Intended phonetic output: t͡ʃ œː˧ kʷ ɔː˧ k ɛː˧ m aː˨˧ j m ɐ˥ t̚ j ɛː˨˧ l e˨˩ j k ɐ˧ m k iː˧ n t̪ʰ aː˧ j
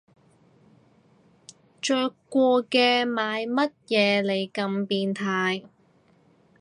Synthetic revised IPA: t͡ʃ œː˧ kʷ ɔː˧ k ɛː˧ m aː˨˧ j m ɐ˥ t̚ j ɛː˨˧ l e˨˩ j k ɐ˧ m p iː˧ n t̪ʰ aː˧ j